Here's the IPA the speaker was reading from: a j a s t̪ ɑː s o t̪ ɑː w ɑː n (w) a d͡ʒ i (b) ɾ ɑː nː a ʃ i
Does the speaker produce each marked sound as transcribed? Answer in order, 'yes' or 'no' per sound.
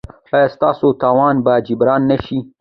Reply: no, yes

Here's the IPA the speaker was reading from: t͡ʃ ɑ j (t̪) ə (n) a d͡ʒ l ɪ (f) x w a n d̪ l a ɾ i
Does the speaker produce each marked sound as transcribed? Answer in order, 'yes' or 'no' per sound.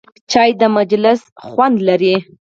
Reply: no, no, no

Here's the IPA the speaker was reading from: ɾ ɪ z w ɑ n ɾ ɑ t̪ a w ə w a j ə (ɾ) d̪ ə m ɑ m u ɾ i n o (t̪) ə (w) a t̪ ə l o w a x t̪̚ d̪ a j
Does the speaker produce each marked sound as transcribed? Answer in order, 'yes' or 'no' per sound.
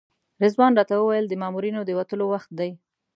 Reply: no, no, yes

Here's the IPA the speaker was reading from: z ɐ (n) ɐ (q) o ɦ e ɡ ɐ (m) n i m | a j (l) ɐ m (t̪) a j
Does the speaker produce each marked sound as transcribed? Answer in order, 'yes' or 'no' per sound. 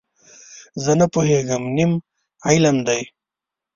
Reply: yes, no, yes, yes, no

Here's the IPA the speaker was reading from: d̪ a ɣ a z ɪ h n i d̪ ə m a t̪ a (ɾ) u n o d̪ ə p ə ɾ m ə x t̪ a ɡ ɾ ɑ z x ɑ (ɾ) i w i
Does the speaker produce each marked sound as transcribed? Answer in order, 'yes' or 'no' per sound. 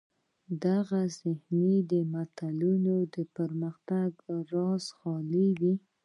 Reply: no, no

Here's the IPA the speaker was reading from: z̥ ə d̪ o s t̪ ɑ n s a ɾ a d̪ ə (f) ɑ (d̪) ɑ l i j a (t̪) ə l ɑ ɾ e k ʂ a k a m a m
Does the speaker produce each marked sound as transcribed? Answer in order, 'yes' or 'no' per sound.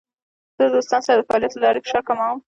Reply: yes, no, yes

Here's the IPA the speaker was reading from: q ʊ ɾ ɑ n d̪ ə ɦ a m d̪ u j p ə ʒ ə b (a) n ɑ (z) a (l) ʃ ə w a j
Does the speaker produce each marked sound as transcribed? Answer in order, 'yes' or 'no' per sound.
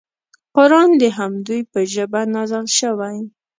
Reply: yes, yes, yes

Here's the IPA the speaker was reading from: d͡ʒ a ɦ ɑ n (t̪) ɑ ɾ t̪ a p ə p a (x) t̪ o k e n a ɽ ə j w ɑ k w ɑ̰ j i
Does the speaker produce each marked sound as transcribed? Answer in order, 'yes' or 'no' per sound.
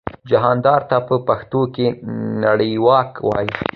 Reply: no, yes

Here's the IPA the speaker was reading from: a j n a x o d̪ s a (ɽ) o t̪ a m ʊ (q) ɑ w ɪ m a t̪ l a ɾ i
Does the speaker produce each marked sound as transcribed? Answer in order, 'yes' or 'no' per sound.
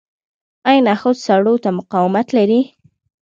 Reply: yes, yes

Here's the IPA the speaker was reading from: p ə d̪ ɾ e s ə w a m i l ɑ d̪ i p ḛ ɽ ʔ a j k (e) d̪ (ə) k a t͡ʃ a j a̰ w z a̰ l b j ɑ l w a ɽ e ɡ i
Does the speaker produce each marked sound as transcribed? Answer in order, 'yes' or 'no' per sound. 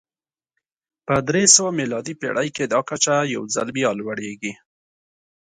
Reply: yes, no

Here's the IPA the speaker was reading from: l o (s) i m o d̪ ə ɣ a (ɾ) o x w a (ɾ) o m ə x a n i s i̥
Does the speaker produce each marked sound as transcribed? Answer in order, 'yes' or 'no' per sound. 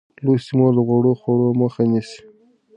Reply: yes, no, no

